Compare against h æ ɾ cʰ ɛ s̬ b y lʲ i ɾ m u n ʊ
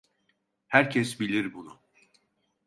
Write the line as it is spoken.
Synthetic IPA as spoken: h æ ɾ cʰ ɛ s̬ b i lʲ i ɾ b u n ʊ